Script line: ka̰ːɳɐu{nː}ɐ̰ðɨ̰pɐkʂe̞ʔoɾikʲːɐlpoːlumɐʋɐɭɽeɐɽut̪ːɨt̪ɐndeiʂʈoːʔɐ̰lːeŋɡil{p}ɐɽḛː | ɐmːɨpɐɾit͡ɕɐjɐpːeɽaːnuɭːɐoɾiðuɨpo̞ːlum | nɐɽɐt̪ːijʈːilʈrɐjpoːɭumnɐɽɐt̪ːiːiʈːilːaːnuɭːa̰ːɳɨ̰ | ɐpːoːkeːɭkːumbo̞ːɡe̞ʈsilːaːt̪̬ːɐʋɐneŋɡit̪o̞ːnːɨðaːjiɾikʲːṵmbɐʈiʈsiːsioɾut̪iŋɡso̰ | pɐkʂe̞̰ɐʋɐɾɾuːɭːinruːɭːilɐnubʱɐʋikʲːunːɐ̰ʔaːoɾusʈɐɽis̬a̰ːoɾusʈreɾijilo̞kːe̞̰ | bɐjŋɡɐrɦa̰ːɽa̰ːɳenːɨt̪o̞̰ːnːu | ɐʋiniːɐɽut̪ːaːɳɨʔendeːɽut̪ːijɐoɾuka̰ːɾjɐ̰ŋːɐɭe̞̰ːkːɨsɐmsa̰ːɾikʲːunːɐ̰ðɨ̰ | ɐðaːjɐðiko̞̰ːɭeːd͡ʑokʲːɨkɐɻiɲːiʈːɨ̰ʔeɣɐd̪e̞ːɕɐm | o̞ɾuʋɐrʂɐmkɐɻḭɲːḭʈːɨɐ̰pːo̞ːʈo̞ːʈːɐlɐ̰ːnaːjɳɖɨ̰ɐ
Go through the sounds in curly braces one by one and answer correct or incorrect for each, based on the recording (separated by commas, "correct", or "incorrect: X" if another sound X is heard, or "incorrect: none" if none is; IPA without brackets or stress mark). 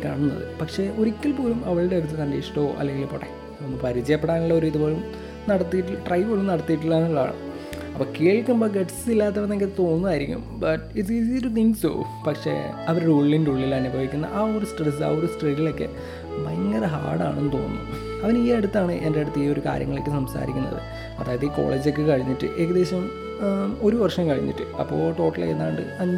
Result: correct, correct